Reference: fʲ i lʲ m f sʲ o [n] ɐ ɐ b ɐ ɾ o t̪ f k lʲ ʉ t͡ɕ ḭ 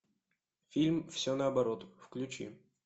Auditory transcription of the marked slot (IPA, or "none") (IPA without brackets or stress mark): n